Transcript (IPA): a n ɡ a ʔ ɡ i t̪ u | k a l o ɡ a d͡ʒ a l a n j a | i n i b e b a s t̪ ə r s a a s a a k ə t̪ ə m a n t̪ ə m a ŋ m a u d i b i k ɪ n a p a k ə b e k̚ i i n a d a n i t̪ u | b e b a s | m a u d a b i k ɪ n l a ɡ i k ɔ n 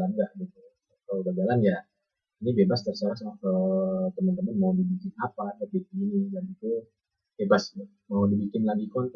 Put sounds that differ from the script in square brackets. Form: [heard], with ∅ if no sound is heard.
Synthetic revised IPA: a n ɡ a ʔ ɡ i t̪ u | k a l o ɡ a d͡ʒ a l a n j a | i n i b e b a s t̪ ə r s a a s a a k ə t̪ ə m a n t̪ ə m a [n] m a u d i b i k ɪ n a p a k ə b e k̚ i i n [i] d a n i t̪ u | b e b a s | m a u d [i] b i k ɪ n l a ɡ i k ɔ n